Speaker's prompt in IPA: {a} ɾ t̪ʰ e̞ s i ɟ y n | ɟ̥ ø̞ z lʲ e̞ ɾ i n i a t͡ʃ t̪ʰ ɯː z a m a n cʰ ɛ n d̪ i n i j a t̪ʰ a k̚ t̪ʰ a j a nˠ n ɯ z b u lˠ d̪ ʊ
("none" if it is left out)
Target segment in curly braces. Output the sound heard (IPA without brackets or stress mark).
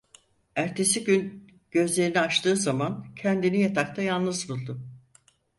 æ